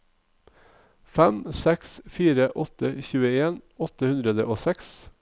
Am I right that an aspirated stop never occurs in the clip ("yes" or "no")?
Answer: yes